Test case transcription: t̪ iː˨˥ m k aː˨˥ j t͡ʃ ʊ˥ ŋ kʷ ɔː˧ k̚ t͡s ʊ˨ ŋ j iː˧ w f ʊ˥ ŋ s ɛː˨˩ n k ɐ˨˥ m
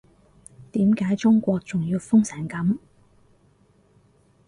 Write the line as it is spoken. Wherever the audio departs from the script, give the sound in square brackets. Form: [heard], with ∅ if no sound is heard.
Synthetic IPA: t̪ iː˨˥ m k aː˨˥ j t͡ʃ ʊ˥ ŋ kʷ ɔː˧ k̚ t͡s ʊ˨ ŋ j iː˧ w f ʊ˥ ŋ s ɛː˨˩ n k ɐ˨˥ m